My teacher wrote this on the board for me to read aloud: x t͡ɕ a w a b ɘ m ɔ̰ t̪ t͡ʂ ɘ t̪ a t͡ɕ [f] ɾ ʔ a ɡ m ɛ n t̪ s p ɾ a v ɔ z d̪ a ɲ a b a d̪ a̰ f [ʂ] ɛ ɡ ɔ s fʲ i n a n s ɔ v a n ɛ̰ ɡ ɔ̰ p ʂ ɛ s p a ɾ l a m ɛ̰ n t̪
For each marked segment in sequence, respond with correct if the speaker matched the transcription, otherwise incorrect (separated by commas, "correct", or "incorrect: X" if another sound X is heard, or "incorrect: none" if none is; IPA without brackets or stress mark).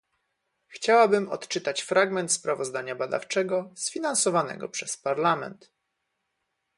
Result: correct, incorrect: t͡ʂ